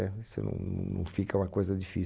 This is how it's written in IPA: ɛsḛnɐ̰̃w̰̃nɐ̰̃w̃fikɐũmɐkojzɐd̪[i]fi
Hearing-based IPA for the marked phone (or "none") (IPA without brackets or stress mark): i